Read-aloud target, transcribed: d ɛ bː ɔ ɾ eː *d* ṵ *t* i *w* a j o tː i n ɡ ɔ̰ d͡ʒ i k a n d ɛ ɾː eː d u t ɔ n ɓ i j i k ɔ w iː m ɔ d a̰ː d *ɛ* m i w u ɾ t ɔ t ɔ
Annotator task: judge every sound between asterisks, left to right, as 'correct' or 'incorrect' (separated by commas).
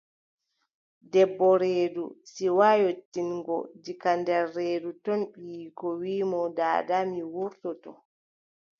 correct, incorrect, correct, incorrect